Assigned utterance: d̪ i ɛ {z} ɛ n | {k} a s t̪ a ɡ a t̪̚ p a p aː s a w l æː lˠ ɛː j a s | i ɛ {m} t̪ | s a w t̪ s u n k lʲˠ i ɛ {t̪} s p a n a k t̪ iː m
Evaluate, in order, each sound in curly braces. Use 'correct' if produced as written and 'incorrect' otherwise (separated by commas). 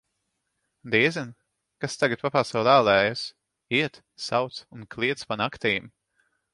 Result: correct, correct, incorrect, correct